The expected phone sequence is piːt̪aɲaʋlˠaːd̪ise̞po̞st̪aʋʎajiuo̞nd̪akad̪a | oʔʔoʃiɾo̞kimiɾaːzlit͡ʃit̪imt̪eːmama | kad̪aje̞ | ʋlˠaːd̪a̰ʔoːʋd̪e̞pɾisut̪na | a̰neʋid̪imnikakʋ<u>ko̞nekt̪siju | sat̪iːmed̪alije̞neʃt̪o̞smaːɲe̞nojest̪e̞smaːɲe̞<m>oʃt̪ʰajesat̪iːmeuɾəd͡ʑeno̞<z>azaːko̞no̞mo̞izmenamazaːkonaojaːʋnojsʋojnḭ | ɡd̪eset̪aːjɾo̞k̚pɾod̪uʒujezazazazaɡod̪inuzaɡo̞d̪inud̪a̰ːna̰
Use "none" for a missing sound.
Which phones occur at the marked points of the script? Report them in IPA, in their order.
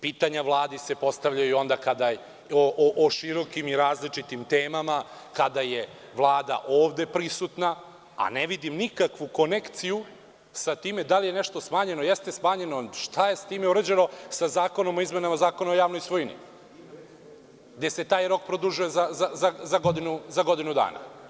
u, n, s

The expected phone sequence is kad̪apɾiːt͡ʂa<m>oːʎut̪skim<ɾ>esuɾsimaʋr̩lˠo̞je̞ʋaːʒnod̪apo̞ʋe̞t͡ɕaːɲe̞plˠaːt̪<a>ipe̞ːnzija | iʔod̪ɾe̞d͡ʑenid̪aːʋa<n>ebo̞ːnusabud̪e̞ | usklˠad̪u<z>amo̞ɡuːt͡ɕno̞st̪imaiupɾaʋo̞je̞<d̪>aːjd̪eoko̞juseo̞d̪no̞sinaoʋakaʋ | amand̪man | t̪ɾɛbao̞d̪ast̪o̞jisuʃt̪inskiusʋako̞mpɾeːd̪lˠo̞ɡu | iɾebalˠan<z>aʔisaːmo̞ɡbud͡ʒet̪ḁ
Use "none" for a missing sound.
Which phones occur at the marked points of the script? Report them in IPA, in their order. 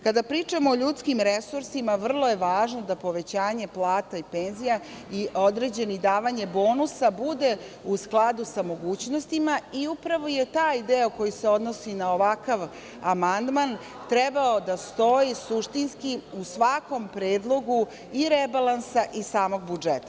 m, ɾ, a, ɲ, s, t̪, s

